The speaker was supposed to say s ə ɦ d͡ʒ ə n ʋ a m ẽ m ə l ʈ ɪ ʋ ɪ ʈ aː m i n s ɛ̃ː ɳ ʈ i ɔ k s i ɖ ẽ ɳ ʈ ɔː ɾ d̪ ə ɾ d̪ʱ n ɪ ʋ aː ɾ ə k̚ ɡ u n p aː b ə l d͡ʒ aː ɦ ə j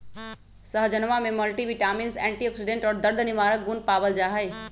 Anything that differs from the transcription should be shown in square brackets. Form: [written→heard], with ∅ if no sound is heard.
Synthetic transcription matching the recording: s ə ɦ d͡ʒ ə n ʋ a m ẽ m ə l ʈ [ɪ→i] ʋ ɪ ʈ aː m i n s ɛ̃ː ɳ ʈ i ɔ k s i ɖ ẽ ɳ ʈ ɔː ɾ d̪ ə ɾ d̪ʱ n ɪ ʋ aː ɾ ə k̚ ɡ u n p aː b ə l d͡ʒ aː ɦ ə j